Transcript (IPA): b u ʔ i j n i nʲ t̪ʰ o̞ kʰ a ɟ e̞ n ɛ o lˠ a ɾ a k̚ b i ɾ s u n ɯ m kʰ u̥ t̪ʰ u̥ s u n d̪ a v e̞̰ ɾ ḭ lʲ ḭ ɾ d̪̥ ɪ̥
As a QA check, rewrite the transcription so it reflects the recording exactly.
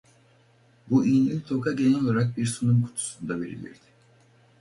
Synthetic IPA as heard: b u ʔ i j n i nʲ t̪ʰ o̞ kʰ a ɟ e̞ n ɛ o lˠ a ɾ a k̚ b i ɾ s u n u m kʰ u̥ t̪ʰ u̥ s u n d̪ a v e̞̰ ɾ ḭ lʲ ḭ ɾ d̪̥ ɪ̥

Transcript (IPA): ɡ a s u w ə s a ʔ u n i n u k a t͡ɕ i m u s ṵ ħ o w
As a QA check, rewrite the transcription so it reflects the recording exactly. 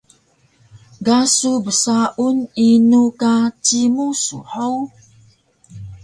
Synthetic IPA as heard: ɡ a s u b ə s a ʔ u n i n u k a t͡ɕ i m u s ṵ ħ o w

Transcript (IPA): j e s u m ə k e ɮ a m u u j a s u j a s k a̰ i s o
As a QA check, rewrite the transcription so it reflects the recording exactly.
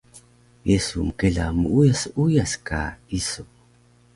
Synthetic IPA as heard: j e s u m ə k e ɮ a m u u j a s u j a s k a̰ i s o

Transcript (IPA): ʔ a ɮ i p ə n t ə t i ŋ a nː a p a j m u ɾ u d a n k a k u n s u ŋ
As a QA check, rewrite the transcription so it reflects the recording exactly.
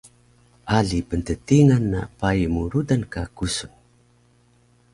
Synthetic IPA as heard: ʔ a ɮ i p ə n t ə t i ŋ a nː a p a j m u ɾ u d a n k a k u s u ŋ

